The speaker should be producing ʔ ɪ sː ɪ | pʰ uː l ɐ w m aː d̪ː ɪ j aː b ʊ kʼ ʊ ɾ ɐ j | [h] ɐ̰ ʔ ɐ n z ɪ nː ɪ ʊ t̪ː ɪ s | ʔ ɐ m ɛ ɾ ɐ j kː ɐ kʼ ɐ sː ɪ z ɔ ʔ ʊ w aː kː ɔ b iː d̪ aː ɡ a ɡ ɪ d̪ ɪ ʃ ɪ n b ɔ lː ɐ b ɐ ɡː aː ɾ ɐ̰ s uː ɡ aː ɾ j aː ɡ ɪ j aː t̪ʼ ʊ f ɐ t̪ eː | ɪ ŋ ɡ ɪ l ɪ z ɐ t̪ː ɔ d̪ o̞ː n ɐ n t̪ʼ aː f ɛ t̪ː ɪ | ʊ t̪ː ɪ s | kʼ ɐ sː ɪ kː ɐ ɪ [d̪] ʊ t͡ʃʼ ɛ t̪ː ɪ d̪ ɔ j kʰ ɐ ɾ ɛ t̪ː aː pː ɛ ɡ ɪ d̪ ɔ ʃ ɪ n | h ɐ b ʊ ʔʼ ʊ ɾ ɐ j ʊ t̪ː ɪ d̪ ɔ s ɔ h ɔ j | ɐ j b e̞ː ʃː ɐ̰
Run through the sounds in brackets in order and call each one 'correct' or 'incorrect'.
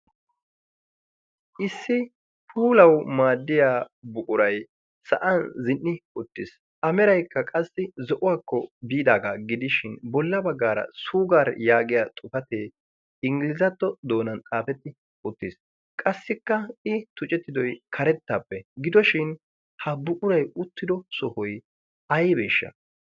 incorrect, incorrect

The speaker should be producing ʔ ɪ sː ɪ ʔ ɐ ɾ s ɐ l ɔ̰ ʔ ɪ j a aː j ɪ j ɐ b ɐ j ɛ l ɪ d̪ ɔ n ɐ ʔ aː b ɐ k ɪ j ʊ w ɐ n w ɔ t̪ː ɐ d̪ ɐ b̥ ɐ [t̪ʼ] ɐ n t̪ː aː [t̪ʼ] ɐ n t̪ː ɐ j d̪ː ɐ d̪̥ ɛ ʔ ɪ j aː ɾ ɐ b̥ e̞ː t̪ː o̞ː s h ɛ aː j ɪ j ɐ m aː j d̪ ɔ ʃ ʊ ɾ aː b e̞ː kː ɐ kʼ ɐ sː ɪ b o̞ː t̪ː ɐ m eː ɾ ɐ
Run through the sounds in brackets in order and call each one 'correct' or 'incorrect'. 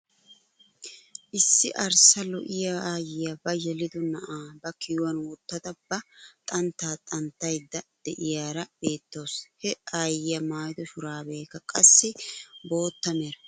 correct, correct

